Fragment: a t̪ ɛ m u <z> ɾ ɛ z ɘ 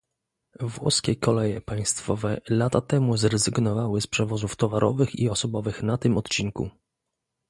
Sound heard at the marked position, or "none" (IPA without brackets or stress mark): z